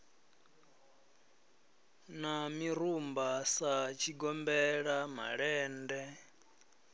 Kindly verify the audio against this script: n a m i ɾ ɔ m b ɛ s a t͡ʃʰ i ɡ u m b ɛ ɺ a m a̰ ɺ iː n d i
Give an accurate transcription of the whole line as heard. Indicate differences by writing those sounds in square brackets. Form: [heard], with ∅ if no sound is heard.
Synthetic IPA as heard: n a m i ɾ [u] m b [a] s a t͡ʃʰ i ɡ [ɔ] m b ɛ ɺ a m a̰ ɺ [ɛː] n d [ɛ]